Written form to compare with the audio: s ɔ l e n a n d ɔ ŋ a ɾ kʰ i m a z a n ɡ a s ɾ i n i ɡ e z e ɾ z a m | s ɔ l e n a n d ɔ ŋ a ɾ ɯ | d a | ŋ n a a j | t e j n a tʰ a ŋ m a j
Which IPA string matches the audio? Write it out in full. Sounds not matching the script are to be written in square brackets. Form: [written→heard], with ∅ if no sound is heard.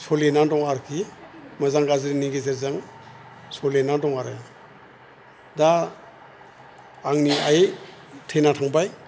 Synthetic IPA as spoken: s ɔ l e n a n d ɔ ŋ a ɾ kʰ i m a z a [n→ŋ] ɡ a [s→z] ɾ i n i ɡ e z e ɾ z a [m→ŋ] | s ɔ l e n a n d ɔ ŋ a ɾ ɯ | d a | ŋ n [a→i] a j | [t→tʰ] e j n a tʰ a ŋ [m→b] a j